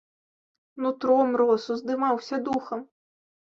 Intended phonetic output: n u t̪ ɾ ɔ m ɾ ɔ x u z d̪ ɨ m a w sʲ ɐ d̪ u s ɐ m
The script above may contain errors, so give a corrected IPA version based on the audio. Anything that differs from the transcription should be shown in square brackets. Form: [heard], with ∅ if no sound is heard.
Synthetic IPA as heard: n u t̪ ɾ ɔ m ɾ ɔ [s] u z d̪ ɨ m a w sʲ ɐ d̪ u [x] ɐ m